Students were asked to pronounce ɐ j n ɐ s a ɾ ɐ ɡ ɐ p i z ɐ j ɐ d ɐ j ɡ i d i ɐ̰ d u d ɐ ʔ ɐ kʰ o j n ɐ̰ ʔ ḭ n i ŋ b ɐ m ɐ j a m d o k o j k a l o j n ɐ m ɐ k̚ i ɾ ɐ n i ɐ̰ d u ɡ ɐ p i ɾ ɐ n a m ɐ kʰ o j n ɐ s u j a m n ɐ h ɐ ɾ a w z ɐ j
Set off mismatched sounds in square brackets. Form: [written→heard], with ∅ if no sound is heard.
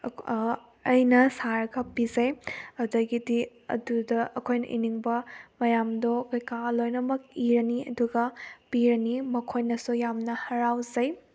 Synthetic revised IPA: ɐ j n ɐ s a ɾ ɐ ɡ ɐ p i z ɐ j ɐ d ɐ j ɡ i d i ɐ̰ d u d ɐ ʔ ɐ kʰ o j n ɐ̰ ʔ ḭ n i ŋ b ɐ m ɐ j a m d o k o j k a l o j n ɐ m ɐ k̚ i ɾ ɐ n i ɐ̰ d u ɡ ɐ p i ɾ ɐ n [a→i] m ɐ kʰ o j n ɐ s u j a m n ɐ h ɐ ɾ a w z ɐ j